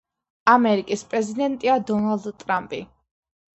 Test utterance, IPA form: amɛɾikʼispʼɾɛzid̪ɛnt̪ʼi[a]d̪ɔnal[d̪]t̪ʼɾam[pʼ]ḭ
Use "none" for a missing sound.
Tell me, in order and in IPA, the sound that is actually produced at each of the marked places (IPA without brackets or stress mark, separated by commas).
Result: a, d̪, pʼ